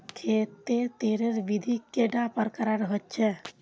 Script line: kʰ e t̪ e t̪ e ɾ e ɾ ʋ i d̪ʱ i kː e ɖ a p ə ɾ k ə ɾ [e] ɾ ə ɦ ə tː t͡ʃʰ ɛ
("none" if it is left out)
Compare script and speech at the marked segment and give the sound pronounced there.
a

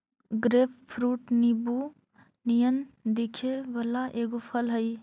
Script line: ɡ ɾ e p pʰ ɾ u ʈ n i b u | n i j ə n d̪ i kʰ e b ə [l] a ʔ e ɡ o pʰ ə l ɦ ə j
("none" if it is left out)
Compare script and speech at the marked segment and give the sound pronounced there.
l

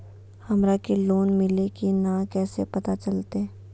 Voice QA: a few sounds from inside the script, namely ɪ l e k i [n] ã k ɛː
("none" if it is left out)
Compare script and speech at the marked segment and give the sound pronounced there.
n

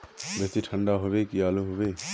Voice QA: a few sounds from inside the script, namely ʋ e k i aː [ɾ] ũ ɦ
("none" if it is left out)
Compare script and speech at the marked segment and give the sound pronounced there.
l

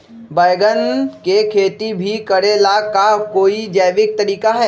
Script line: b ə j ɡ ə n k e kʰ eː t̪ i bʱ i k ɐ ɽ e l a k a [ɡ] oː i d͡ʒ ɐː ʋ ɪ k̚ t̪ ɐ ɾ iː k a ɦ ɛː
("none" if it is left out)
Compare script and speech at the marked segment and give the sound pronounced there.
k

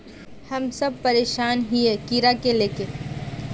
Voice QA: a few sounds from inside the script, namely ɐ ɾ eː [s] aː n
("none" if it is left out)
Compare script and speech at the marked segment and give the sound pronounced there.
ʃ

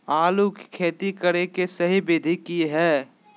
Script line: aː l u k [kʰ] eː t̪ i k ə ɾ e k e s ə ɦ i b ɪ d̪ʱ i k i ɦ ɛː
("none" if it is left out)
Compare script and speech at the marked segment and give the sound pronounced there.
kʰ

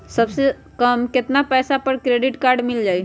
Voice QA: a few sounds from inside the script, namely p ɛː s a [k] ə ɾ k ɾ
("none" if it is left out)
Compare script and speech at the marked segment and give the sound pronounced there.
p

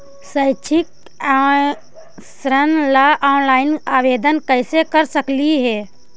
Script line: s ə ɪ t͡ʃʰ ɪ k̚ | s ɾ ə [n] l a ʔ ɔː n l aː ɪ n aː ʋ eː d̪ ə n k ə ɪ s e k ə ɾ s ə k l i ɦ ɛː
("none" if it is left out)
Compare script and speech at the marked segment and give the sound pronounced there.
n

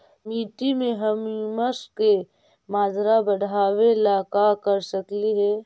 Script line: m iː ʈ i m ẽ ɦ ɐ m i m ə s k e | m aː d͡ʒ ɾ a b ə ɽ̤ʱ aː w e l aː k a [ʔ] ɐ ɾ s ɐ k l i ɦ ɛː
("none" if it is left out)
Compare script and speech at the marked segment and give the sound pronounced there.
k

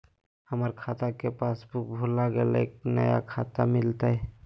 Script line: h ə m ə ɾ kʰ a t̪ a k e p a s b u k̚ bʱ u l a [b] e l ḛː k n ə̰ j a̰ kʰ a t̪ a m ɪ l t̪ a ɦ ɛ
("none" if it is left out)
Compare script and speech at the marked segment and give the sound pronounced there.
ɡ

